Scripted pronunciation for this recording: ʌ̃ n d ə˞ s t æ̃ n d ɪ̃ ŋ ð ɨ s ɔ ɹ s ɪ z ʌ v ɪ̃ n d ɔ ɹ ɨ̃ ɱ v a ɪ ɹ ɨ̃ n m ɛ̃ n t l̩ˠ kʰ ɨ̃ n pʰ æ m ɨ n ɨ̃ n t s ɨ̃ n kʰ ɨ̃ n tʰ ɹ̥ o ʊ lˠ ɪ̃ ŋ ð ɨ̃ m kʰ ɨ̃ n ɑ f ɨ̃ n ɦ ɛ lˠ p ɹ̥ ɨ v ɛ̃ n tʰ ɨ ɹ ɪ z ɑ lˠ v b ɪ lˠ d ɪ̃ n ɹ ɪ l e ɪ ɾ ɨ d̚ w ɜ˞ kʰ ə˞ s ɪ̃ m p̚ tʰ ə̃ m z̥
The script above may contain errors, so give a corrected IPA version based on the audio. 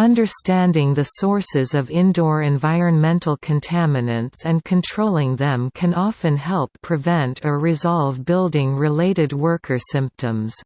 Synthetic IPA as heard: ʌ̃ n d ə˞ s t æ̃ n d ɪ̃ ŋ ð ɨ s ɔ ɹ s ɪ z ʌ v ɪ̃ n d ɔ ɹ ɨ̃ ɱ v a ɪ ɹ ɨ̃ n m ɛ̃ n t l̩ˠ kʰ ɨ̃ n tʰ æ m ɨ n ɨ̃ n t s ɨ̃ n kʰ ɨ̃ n tʰ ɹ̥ o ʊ lˠ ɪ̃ ŋ ð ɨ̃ m kʰ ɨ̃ n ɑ f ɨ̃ n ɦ ɛ lˠ pʰ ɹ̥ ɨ v ɛ̃ n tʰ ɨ ɹ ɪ z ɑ lˠ v b ɪ lˠ d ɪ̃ ŋ ɹ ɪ l e ɪ ɾ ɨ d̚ w ɜ˞ kʰ ə˞ s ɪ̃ m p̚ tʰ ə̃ m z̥